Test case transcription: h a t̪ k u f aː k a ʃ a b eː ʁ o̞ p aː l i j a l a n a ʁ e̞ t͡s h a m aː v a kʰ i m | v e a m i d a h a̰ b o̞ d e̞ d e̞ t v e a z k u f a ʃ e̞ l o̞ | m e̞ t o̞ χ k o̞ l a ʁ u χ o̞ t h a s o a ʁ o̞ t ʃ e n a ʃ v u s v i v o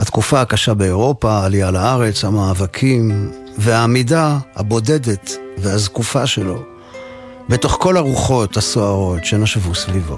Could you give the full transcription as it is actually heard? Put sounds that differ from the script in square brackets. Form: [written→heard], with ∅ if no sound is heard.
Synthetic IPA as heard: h a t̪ k u f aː k a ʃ a b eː ʁ o̞ p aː l i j a l a [n→∅] a ʁ e̞ t͡s h a m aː v a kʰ i m | v e a m i d a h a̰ b o̞ d e̞ d e̞ t v e a z k u f a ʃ e̞ l o̞ | [m→b] e̞ t o̞ χ k o̞ l a ʁ u χ o̞ t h a s o a ʁ o̞ t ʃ e n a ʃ v u s v i v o